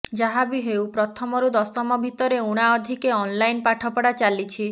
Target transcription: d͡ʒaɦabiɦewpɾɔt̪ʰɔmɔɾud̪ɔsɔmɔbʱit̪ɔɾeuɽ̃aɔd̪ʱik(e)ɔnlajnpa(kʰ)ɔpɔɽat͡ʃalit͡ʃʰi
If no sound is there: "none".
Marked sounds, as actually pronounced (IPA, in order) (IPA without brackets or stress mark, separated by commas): e, ʈʰ